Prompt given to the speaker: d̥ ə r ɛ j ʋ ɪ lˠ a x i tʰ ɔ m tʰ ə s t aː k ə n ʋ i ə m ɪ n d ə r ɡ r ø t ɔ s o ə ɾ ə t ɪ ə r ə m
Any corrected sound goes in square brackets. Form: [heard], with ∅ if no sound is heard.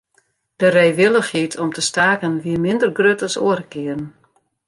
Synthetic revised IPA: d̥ ə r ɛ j ʋ ɪ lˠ [ə] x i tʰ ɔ m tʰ ə s t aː k ə n ʋ i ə m ɪ n d ə r ɡ r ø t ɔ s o ə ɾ ə [k] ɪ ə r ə [n]